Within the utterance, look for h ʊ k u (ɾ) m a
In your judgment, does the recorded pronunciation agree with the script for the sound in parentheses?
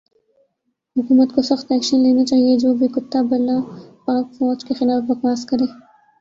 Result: no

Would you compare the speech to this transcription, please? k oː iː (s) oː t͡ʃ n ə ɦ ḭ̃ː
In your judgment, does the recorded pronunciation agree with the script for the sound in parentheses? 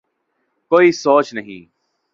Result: yes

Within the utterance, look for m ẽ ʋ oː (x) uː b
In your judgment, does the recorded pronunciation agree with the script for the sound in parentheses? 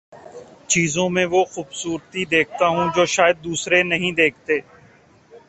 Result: yes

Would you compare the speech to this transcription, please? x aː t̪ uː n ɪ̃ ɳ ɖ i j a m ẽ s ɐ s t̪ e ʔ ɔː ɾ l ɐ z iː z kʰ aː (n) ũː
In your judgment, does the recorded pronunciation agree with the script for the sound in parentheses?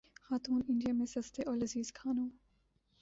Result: yes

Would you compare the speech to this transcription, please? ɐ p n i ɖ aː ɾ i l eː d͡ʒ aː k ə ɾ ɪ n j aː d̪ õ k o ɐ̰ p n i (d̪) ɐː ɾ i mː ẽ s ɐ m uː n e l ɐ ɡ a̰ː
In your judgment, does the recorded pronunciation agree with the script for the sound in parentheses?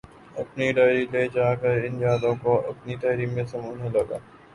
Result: no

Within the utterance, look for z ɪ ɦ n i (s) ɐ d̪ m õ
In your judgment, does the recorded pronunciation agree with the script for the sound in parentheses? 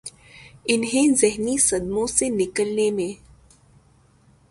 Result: yes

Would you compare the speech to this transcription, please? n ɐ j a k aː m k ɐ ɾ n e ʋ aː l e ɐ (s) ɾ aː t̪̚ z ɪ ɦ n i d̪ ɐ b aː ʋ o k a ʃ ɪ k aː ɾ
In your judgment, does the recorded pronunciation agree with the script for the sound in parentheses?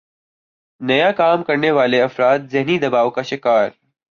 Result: no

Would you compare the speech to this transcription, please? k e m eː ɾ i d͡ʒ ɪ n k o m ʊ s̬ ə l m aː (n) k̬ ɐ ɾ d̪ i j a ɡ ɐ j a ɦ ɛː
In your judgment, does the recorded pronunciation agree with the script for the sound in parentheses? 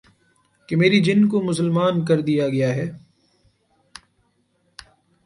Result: yes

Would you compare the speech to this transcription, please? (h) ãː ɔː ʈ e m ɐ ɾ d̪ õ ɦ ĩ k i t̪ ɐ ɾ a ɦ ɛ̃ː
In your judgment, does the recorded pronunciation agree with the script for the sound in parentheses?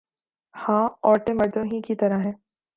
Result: yes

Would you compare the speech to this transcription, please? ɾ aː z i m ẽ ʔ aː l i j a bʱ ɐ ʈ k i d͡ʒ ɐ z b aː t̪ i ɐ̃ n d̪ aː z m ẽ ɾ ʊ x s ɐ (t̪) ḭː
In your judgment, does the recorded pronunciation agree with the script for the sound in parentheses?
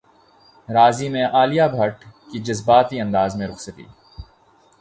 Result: yes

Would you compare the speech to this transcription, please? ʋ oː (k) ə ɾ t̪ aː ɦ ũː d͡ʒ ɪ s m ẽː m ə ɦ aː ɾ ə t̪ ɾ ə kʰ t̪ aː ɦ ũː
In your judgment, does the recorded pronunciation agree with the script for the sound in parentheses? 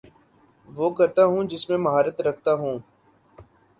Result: yes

